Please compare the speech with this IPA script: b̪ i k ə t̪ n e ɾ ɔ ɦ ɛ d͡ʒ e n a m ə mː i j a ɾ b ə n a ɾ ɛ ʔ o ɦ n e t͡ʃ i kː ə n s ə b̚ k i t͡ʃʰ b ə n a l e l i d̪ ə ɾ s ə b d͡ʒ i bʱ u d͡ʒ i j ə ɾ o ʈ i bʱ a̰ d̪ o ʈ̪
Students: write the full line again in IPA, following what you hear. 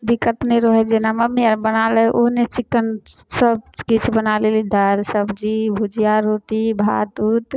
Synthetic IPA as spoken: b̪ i k ə t̪ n e ɾ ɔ ɦ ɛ d͡ʒ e n a m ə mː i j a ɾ b ə n a l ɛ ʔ o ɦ n e t͡ʃ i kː ə n s ə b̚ k i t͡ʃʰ b ə n a l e l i d̪ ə ɾ s ə b d͡ʒ i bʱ u d͡ʒ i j a ɾ o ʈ i bʱ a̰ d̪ u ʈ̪